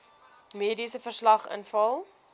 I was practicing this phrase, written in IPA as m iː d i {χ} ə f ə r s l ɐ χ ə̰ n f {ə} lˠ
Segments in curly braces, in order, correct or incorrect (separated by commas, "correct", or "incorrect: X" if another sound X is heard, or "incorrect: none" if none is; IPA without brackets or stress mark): incorrect: s, incorrect: ɐ